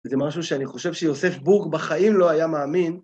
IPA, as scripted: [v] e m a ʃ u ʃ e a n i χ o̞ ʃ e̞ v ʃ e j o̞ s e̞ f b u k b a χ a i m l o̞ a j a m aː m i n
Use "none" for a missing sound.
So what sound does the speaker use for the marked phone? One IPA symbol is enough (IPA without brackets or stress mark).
z